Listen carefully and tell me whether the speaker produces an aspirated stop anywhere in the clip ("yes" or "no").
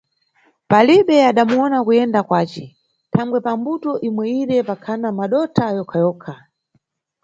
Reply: yes